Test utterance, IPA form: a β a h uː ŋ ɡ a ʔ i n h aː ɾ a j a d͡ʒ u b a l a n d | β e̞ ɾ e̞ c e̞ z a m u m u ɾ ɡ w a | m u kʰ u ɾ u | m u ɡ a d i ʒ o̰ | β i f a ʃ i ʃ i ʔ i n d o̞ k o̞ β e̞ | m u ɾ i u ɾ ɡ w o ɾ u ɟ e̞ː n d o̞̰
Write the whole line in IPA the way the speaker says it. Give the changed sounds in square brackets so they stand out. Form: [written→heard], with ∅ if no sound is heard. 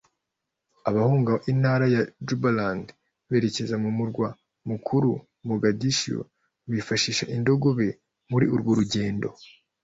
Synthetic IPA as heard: a β a h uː ŋ ɡ a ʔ i n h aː ɾ a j a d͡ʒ u b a l a n d | β e̞ ɾ e̞ c e̞ z a m u m u ɾ ɡ w a | m u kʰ u ɾ u | m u ɡ a d i [ʒ→ʃ] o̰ | β i f a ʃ i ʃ [i→a] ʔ i n d o̞ [k→ɡ] o̞ β e̞ | m u ɾ i u ɾ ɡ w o ɾ u ɟ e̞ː n d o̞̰